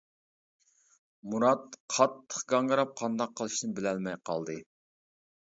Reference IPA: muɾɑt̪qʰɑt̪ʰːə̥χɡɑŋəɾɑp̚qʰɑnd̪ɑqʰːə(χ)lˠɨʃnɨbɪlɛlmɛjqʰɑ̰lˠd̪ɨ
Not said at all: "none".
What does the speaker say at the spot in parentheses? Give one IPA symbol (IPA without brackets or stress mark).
none